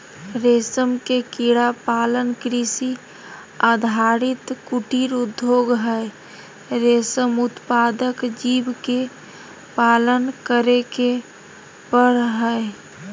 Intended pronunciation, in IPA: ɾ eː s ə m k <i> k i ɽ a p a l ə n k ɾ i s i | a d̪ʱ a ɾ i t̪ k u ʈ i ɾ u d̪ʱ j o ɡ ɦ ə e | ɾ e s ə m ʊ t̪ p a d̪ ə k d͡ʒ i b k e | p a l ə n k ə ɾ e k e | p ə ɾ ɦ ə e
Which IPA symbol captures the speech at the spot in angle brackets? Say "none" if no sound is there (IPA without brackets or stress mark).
e